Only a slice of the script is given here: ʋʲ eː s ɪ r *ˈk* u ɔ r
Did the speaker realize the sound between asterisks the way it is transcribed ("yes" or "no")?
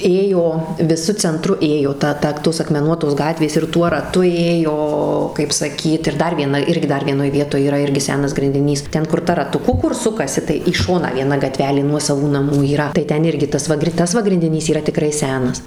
no